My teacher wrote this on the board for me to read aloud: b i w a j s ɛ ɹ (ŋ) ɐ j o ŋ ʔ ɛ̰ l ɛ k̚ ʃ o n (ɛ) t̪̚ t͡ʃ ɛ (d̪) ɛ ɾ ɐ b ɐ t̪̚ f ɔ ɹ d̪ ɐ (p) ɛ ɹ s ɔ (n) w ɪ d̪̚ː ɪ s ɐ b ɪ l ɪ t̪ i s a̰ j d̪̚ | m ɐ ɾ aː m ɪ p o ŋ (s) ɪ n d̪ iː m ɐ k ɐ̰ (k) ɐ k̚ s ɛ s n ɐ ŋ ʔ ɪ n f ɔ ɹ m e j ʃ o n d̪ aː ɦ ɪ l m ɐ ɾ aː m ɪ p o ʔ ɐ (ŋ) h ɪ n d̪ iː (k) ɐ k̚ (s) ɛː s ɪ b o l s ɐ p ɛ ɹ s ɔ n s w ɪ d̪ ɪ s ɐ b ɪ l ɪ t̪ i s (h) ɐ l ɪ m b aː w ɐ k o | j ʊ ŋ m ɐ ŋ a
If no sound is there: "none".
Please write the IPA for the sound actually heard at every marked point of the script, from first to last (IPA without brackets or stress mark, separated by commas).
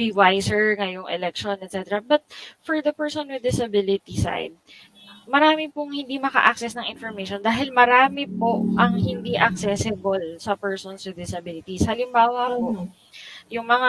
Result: ŋ, ɛ, t̪, p, n, h, ʔ, ŋ, ʔ, s, h